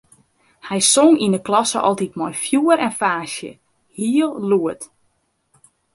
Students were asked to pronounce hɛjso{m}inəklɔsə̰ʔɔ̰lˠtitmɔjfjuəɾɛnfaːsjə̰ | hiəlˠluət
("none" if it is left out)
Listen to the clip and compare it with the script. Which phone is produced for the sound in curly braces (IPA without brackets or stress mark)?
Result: ŋ